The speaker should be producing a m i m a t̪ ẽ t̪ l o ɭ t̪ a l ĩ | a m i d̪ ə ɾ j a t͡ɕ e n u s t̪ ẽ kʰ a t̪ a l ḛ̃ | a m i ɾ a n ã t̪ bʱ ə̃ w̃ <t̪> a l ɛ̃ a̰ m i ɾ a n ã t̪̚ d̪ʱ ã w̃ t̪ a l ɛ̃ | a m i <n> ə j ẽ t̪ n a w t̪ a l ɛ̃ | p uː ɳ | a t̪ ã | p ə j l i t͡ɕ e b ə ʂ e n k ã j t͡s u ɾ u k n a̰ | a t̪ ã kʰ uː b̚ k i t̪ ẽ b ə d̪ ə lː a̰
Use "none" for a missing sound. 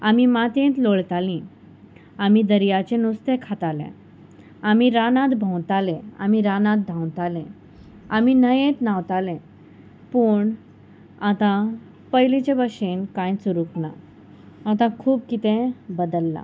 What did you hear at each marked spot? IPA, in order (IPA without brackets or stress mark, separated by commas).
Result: t̪, n